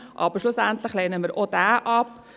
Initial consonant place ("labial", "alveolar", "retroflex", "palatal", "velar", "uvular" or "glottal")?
glottal